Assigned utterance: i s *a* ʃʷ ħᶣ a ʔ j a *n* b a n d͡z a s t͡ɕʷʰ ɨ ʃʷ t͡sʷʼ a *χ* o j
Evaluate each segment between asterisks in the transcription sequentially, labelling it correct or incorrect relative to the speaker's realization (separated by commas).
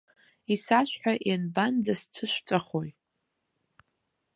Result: correct, correct, correct